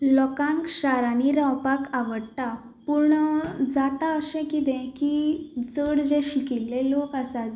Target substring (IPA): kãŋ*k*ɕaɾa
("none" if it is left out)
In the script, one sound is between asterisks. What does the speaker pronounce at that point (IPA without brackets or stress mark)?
k